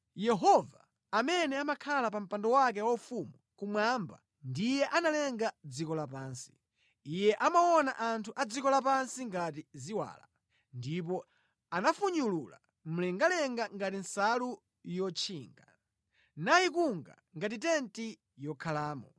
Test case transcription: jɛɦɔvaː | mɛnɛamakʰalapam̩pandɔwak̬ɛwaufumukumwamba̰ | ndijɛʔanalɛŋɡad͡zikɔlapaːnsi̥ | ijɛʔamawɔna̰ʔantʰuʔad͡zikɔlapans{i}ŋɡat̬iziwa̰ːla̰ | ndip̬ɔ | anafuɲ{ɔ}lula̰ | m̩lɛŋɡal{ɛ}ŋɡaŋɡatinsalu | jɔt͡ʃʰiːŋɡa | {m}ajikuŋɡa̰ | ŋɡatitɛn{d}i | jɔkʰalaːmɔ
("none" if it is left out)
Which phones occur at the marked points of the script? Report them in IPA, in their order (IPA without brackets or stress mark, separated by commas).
i, u, ɛ, n, t